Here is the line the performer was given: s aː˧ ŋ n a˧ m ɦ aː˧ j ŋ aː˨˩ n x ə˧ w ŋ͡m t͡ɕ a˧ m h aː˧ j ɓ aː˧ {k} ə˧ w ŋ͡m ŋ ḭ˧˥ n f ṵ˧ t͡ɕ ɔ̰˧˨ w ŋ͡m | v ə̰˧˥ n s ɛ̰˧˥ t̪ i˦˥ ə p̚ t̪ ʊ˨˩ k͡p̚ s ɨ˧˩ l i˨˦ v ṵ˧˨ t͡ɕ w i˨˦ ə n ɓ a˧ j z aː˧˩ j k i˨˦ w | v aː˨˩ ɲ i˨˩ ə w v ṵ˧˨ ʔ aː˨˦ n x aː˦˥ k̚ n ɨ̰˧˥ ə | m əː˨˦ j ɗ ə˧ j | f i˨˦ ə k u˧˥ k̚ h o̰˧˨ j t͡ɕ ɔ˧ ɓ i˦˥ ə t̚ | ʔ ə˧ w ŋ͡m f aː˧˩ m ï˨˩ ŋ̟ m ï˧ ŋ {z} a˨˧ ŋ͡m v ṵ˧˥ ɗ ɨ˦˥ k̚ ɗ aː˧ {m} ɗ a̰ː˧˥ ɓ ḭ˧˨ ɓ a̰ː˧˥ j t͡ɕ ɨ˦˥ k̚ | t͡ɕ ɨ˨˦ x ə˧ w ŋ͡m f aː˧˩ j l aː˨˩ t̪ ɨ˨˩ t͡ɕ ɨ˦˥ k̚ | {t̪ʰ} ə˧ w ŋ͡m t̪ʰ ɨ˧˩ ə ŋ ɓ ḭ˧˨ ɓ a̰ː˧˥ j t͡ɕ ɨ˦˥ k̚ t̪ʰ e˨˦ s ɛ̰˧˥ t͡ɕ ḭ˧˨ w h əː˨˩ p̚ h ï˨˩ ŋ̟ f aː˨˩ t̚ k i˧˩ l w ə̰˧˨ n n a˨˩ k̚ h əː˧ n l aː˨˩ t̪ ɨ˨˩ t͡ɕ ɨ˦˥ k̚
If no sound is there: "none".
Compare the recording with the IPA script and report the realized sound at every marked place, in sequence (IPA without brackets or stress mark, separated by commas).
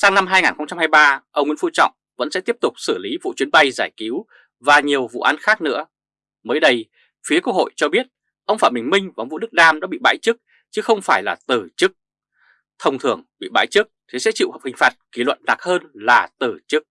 ʔ, v, m, t̪ʰ